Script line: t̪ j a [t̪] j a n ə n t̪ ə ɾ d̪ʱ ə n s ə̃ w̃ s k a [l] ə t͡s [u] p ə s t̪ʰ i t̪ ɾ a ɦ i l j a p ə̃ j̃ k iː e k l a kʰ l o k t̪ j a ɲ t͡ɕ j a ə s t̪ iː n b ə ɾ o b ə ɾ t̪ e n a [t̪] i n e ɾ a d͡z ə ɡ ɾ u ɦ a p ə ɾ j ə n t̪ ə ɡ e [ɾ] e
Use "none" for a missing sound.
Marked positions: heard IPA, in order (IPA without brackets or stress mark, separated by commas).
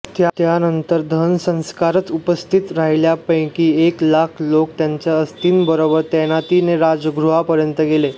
t̪, ɾ, u, t̪, l